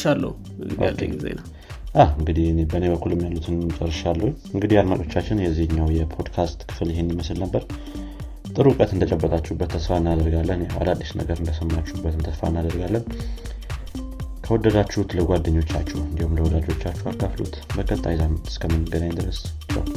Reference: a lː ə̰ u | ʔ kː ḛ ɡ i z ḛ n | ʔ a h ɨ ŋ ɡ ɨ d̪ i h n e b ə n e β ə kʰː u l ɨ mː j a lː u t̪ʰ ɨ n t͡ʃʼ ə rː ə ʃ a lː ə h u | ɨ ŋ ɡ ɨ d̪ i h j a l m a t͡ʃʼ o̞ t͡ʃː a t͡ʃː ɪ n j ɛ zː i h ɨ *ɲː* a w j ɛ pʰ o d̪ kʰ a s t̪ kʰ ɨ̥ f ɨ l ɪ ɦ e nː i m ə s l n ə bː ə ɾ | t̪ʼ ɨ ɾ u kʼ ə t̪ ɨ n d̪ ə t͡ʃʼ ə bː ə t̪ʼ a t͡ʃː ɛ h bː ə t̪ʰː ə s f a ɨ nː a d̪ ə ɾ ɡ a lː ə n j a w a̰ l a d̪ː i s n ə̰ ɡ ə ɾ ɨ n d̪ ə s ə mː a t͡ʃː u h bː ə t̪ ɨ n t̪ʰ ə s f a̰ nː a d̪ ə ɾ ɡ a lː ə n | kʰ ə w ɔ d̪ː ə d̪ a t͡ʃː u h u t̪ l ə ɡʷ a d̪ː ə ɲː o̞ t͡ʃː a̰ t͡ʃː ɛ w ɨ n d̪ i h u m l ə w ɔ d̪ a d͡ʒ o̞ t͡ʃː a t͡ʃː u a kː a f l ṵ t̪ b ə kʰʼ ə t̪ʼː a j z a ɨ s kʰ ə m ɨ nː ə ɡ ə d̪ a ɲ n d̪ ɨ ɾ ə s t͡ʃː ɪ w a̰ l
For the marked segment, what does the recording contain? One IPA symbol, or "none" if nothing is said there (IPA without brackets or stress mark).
ɲː